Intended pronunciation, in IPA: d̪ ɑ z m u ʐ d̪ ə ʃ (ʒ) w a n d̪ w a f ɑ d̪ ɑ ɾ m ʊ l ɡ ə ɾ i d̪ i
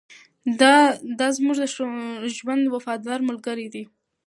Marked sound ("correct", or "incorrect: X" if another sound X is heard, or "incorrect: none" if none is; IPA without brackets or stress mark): correct